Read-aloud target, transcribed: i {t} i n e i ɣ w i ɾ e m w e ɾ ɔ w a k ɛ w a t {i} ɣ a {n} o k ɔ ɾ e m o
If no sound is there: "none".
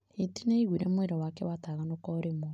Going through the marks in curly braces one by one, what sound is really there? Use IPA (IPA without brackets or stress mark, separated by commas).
t, a, n